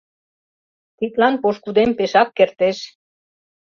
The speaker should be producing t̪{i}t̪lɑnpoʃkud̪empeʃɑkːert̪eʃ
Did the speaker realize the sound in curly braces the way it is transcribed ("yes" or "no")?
yes